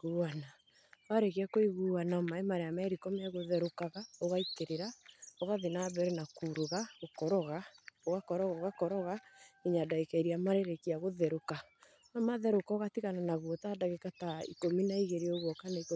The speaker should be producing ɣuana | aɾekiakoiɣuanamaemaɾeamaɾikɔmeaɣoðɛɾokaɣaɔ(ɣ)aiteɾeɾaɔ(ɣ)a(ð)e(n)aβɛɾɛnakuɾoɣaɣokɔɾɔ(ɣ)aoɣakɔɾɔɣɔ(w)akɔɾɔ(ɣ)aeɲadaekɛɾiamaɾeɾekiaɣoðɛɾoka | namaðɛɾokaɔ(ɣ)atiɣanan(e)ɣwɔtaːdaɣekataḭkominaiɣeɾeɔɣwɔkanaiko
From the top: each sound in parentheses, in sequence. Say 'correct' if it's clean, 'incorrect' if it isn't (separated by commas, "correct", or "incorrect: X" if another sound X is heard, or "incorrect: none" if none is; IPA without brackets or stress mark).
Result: correct, correct, correct, correct, correct, incorrect: ɣ, correct, correct, incorrect: a